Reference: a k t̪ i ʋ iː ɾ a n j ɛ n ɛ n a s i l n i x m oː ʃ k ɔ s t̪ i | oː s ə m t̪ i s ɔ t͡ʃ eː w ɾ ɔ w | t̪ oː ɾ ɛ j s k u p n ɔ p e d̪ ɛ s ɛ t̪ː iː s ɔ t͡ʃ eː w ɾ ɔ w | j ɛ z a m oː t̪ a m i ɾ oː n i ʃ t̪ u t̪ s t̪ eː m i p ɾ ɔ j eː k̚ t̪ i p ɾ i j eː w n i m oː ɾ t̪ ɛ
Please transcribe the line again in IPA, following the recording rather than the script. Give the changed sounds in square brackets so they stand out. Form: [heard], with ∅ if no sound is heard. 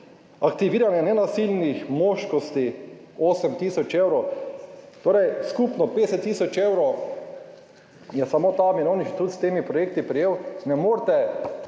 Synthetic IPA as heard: a k t̪ i ʋ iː ɾ a n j ɛ n ɛ n a s i l n i x m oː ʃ k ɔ s t̪ i | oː s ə m t̪ i s ɔ t͡ʃ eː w ɾ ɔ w | t̪ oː ɾ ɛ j s k u p n ɔ p e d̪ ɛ s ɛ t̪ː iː s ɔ t͡ʃ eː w ɾ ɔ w | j ɛ [s] a m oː t̪ a m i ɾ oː n i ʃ t̪ u t̪ s t̪ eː m i p ɾ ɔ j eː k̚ t̪ i p ɾ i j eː w n [ɛ] m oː ɾ t̪ ɛ